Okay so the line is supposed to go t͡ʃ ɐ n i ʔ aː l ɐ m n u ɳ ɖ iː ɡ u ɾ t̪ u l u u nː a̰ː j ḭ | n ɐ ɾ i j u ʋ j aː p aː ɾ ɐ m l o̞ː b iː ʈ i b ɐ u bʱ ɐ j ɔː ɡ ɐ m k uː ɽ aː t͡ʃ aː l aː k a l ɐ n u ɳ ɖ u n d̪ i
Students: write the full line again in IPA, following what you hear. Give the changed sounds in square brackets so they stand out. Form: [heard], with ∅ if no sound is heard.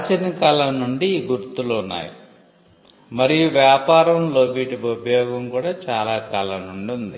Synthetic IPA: t͡ʃ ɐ n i [k] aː l ɐ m n u ɳ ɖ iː ɡ u ɾ t̪ u l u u nː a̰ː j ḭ | [m] ɐ ɾ i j u ʋ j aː p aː ɾ ɐ m l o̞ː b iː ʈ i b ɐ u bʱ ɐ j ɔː ɡ ɐ m k uː ɽ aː t͡ʃ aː l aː k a l ɐ n u ɳ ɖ u n d̪ i

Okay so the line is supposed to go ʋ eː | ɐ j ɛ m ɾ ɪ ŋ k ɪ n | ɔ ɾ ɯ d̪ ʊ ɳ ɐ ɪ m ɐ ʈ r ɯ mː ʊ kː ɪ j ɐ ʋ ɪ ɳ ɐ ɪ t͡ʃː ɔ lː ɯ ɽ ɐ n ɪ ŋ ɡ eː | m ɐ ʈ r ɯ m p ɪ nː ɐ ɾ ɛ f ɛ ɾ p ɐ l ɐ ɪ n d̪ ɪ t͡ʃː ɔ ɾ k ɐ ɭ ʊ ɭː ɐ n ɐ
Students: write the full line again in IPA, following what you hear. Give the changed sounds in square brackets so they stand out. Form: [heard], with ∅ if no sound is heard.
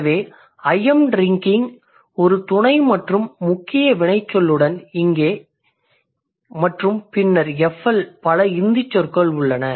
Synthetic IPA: ʋ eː | ɐ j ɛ m ɾ ɪ ŋ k ɪ [ŋ] | ɔ ɾ ɯ [t̪] ʊ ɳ ɐ ɪ m ɐ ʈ r ɯ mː ʊ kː ɪ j ɐ ʋ ɪ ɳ ɐ ɪ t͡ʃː ɔ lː ɯ ɽ ɐ n ɪ ŋ ɡ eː | m ɐ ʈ r ɯ m p ɪ nː ɐ ɾ ɛ f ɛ [l] p ɐ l ɐ ɪ n d̪ ɪ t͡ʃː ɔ ɾ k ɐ ɭ ʊ ɭː ɐ n ɐ

